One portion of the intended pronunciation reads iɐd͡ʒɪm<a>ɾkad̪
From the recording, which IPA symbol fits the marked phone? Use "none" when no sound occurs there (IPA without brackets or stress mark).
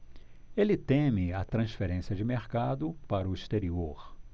e